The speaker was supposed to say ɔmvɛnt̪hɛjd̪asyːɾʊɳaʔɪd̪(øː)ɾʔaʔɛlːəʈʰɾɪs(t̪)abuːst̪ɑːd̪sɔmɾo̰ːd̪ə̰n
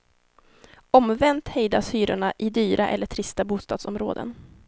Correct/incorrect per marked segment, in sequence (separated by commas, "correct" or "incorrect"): incorrect, correct